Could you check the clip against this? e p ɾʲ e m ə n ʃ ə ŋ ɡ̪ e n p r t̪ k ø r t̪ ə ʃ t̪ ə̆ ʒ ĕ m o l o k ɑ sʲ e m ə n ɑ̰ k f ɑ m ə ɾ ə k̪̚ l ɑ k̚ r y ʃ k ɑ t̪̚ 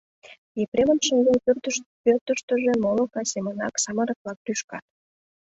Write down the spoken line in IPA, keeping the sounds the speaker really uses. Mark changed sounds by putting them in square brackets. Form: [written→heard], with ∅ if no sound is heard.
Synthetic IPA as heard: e p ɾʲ e m ə n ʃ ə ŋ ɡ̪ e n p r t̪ [k→p] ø r t̪ ə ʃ t̪ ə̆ ʒ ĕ m o l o k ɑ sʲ e m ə n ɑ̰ k [f→s] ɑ m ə ɾ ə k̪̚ l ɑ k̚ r y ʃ k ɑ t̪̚